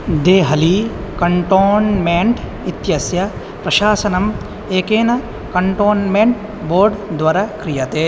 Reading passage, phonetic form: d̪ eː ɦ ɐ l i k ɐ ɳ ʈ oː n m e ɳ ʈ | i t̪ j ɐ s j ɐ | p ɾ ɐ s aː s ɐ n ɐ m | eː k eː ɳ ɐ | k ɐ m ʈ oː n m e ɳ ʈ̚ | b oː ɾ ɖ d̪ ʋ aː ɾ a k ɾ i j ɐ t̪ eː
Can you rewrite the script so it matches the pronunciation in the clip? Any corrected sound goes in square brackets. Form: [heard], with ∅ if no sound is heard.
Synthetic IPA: d̪ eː ɦ ɐ l i k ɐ ɳ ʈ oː n m e ɳ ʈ | i t̪ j ɐ s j ɐ | p ɾ ɐ [ʃ] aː s ɐ n ɐ m | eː k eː [n] ɐ | k ɐ [ɳ] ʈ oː n m e ɳ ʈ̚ | b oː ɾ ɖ d̪ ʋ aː ɾ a k ɾ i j ɐ t̪ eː